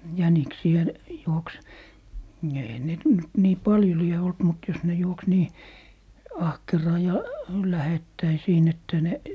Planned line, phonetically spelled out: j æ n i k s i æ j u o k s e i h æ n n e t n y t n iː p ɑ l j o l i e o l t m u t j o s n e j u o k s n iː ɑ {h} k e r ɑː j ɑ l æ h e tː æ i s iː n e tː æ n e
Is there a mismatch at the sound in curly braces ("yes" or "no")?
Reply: no